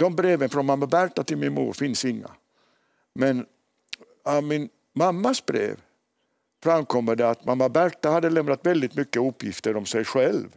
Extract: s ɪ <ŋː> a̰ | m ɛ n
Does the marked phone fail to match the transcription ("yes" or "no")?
no